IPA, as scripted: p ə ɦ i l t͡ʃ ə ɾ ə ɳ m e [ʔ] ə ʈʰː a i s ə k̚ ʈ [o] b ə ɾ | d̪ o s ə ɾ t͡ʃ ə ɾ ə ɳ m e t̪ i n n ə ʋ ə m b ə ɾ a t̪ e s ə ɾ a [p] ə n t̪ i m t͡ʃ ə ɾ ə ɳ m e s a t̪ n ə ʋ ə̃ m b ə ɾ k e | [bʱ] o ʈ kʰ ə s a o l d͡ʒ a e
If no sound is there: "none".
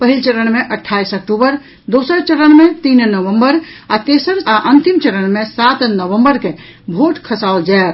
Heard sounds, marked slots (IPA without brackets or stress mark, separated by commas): ʔ, u, ʔ, bʱ